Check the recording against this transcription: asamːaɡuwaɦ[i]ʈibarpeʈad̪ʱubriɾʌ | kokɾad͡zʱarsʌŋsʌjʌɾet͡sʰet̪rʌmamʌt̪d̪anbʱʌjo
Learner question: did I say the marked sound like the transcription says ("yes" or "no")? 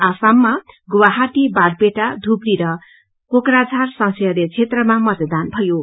no